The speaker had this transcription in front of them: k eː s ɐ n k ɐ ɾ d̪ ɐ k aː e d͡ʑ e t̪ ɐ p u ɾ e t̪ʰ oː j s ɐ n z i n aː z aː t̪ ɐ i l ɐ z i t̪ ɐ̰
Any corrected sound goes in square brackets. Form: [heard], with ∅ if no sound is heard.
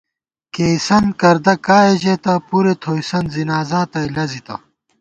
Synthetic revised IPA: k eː s ɐ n k ɐ ɾ d̪ ɐ k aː e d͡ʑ e t̪ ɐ p u ɾ e t̪ʰ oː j s ɐ n z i n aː z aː t̪ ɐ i l ɐ z i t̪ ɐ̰